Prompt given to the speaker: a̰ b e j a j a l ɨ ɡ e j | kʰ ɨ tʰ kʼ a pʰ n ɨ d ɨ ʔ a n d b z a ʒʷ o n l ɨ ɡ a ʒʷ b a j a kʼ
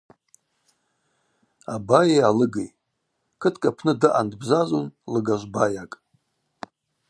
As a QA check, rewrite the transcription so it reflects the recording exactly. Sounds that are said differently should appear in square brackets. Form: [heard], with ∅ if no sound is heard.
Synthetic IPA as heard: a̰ b [a] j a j a l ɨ ɡ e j | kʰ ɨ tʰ kʼ a pʰ n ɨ d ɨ ʔ a n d b z a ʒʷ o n l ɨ ɡ a ʒʷ b a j a kʼ